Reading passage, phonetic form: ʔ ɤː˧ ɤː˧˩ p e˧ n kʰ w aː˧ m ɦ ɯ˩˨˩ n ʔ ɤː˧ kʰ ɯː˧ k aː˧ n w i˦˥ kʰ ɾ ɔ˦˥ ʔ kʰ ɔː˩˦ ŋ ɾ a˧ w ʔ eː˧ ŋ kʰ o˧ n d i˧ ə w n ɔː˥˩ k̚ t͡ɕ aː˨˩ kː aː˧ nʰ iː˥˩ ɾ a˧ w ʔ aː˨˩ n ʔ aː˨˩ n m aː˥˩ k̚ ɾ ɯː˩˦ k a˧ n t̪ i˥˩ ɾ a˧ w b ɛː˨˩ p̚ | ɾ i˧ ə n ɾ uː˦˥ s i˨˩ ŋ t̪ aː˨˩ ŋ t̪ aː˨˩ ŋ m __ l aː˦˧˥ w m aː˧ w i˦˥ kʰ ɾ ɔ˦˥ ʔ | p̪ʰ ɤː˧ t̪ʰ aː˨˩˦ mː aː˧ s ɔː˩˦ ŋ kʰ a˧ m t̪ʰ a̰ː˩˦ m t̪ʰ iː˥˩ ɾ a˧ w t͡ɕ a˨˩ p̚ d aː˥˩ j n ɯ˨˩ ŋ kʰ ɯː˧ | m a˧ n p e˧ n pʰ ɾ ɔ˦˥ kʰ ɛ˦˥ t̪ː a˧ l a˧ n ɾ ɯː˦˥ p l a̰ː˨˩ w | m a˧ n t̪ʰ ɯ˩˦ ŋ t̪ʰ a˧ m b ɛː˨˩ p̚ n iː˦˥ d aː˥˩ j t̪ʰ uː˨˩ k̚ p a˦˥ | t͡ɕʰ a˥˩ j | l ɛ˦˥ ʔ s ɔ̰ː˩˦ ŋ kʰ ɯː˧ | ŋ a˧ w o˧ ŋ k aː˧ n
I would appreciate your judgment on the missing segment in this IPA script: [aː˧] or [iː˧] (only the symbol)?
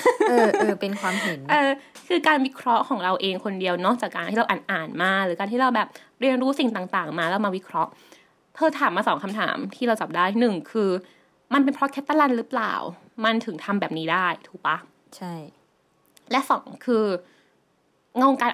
aː˧